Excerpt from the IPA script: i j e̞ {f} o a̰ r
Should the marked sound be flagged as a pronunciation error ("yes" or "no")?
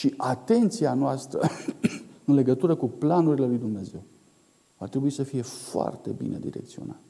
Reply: no